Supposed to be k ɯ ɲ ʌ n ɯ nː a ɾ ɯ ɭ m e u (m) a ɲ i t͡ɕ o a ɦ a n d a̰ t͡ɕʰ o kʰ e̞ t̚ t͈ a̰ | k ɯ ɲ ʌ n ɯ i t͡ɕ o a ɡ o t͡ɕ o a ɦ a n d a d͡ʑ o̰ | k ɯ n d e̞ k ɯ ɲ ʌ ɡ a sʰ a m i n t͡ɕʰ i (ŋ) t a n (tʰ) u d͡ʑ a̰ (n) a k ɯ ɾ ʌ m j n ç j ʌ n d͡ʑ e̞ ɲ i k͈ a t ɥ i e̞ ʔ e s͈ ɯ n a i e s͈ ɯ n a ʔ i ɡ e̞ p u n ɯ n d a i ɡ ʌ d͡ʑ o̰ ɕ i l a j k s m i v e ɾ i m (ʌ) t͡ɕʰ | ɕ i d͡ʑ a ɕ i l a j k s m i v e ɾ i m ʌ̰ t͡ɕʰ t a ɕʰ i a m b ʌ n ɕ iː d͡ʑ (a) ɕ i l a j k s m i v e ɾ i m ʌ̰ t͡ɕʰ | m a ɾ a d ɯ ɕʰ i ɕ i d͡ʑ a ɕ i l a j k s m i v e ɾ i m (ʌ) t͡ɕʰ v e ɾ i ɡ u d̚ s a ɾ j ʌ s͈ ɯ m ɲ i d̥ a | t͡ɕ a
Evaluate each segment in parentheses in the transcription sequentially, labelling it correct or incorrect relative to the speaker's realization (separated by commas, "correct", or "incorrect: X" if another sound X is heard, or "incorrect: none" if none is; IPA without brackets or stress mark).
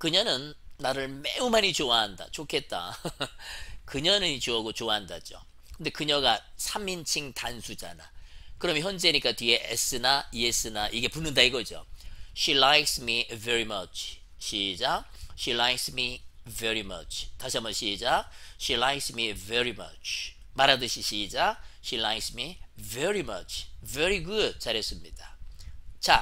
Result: correct, correct, incorrect: sʰ, correct, correct, correct, correct